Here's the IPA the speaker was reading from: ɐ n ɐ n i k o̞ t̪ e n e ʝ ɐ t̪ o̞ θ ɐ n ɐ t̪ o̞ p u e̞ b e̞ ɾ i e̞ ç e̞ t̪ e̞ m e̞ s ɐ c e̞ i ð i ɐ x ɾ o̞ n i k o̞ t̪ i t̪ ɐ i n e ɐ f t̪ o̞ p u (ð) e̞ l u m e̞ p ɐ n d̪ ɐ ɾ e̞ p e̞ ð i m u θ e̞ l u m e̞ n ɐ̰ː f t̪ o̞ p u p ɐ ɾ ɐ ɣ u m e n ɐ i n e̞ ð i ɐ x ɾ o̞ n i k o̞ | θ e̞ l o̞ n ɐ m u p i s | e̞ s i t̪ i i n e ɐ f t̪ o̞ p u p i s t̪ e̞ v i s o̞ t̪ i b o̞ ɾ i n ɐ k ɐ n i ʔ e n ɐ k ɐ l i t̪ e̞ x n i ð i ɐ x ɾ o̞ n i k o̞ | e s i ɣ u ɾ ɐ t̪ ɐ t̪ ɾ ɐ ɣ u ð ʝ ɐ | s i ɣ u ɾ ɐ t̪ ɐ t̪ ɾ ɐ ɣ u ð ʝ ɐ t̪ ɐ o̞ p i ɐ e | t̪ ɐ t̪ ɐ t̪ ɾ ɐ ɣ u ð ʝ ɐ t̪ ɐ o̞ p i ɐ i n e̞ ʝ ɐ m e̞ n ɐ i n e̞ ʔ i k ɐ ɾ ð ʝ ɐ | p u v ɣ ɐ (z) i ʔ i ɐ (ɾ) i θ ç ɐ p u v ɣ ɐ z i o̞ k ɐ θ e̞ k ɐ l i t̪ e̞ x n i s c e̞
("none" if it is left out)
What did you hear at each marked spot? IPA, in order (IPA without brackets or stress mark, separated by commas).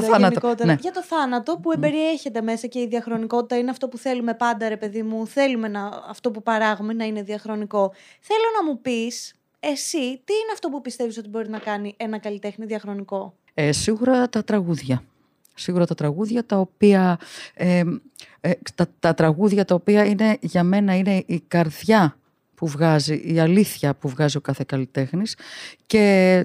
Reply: θ, z, l